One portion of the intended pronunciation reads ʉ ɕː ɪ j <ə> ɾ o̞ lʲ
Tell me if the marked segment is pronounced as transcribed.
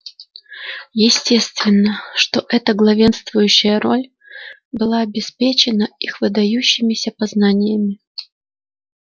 yes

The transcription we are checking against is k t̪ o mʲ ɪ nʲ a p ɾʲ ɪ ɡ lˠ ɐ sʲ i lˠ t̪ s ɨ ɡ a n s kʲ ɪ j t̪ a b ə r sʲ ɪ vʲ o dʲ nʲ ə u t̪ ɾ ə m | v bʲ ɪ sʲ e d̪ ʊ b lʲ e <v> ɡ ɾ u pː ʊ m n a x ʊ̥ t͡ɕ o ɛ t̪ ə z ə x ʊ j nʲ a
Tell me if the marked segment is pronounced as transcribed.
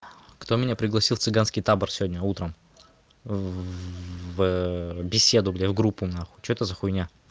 yes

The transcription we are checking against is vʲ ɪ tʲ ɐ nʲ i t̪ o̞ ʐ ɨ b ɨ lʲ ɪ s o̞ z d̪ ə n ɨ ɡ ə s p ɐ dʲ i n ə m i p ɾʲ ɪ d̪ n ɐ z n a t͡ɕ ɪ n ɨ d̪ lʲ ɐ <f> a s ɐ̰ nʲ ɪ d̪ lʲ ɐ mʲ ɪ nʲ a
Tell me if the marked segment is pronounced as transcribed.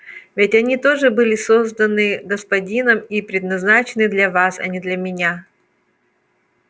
no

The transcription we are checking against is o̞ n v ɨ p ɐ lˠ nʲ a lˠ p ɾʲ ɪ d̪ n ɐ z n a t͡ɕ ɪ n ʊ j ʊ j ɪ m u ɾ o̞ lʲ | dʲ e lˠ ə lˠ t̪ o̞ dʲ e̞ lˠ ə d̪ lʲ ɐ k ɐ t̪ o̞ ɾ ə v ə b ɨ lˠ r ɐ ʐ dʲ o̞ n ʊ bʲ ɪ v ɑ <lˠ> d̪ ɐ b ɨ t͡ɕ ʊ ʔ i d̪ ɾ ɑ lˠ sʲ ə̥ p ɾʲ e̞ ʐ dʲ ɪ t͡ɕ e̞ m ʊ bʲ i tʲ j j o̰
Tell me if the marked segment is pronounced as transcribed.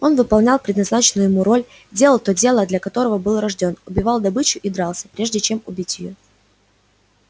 yes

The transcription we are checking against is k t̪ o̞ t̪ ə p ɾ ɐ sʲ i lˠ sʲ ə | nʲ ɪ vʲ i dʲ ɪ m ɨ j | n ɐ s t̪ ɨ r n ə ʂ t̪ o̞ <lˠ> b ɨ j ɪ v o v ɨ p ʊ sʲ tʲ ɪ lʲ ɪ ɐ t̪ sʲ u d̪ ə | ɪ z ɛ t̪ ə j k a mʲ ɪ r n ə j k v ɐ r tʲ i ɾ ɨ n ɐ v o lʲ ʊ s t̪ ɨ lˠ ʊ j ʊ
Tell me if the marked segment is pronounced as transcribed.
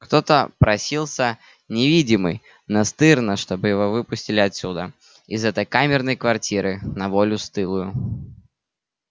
no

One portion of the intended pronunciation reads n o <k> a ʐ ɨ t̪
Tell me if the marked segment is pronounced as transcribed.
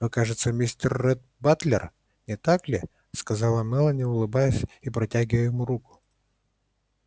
yes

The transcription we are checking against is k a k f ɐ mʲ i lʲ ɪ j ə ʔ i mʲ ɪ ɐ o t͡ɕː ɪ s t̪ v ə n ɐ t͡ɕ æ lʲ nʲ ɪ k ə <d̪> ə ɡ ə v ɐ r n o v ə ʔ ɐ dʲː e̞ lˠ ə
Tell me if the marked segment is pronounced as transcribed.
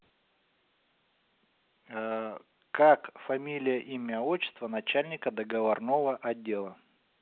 yes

